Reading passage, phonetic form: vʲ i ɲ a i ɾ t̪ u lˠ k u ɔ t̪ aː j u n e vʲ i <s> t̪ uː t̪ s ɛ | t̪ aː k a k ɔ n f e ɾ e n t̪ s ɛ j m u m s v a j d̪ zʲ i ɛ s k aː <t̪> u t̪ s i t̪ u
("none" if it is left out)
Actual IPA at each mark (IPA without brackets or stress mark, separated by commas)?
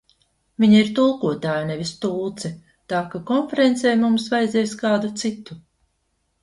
s, d̪